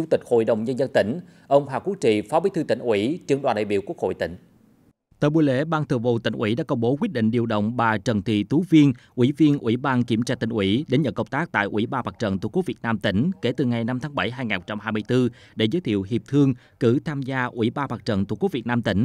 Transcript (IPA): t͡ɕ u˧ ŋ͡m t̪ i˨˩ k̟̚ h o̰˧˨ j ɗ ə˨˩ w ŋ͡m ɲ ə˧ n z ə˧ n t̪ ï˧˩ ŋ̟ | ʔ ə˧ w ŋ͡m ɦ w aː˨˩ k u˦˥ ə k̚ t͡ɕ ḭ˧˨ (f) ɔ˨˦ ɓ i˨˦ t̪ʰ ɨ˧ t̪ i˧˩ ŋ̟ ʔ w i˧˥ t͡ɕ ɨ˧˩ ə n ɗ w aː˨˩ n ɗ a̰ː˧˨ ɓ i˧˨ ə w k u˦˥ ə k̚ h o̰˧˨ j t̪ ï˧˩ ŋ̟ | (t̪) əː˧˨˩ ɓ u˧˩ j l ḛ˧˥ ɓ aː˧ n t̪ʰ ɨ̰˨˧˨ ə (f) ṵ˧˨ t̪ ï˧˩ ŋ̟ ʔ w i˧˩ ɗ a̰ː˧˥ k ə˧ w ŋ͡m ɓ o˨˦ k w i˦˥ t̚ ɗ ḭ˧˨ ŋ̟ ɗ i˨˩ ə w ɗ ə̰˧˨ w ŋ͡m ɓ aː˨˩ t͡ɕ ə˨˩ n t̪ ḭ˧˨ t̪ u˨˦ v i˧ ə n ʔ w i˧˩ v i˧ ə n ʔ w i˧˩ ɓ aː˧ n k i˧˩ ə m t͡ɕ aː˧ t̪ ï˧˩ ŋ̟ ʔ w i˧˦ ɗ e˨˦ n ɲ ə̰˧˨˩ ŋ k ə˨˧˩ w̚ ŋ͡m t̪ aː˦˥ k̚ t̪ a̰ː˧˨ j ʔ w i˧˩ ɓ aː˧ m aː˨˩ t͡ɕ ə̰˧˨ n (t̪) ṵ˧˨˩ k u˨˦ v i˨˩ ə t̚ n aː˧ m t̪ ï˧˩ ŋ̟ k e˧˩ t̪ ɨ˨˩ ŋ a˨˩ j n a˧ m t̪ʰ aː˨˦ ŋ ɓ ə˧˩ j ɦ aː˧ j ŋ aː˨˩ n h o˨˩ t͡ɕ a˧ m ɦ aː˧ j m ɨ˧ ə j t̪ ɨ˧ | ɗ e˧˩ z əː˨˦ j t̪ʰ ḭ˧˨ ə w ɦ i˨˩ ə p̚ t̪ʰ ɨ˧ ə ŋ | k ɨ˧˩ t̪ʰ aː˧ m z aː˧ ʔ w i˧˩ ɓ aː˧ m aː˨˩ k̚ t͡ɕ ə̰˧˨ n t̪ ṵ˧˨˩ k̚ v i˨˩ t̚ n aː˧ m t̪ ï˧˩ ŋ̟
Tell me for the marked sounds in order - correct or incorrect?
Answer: correct, correct, incorrect, correct

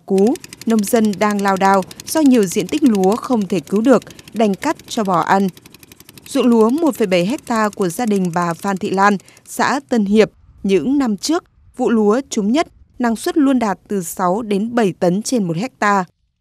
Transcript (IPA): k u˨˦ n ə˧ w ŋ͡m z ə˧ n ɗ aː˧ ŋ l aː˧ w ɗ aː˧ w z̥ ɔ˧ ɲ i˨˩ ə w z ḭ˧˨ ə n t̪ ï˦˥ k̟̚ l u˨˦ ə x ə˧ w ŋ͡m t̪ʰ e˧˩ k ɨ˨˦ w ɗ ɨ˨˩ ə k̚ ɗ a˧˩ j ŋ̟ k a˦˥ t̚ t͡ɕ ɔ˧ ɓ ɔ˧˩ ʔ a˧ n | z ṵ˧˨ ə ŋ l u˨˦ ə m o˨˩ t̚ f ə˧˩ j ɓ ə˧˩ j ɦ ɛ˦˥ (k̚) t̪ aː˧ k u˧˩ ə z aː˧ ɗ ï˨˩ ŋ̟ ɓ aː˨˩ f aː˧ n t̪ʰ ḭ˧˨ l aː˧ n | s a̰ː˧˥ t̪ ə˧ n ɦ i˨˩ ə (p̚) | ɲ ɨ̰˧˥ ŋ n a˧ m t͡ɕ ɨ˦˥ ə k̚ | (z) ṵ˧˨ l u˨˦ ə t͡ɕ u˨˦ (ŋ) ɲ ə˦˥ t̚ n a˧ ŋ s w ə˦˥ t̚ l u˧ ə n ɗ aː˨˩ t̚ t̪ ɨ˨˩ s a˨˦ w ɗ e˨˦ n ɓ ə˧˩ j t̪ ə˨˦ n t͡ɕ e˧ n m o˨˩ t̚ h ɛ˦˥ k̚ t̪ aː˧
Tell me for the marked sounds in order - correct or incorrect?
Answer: correct, correct, incorrect, incorrect

